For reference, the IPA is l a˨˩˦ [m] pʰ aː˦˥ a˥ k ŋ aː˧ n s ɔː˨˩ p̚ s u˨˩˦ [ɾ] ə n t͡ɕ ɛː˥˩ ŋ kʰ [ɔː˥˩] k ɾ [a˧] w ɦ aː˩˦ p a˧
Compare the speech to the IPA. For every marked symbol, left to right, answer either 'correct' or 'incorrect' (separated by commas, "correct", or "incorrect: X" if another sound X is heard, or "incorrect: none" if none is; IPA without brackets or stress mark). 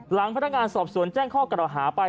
incorrect: ŋ, incorrect: none, correct, incorrect: a˨˩